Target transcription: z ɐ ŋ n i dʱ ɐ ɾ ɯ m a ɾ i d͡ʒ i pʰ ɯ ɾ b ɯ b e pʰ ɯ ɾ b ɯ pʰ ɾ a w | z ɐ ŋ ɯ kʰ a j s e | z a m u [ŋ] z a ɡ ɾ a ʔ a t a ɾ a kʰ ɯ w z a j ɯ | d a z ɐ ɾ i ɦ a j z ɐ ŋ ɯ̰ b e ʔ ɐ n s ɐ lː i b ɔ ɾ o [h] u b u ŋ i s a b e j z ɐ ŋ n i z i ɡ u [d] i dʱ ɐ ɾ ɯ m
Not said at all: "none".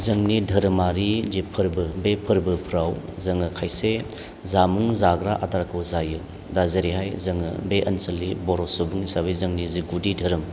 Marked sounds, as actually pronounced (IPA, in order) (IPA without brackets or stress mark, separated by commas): ŋ, s, d